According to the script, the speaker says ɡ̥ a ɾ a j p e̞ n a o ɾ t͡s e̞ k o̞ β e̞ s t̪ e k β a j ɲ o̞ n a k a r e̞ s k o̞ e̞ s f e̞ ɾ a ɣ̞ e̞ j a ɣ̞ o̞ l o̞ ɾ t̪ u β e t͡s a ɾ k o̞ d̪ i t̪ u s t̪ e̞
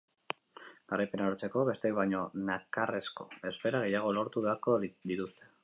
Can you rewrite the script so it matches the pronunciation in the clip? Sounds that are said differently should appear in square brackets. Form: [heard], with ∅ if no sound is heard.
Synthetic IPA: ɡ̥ a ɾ a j p e̞ n a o ɾ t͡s e̞ k o̞ β e̞ s t̪ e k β a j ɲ o̞ n a k a r e̞ s k o̞ e̞ s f e̞ ɾ a ɣ̞ e̞ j a ɣ̞ o̞ l o̞ ɾ t̪ u β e [∅] a ɾ k o̞ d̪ i t̪ u s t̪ e̞